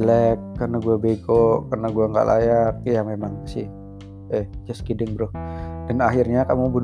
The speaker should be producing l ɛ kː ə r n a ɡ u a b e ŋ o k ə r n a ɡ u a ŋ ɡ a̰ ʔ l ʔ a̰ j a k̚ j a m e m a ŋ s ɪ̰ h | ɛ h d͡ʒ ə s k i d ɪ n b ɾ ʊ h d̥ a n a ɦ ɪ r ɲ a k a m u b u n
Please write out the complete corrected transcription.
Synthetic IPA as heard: l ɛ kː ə r n a ɡ u a b e ɡ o k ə r n a ɡ u a ŋ ɡ a̰ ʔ l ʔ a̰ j a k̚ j a m e m a ŋ s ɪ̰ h | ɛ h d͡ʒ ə s k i d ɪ ŋ b ɾ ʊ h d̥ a n a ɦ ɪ r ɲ a k a m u b u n